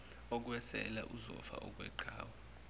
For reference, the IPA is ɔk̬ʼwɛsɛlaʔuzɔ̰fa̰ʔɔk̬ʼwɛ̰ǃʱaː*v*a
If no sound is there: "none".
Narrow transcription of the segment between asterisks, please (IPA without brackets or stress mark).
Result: w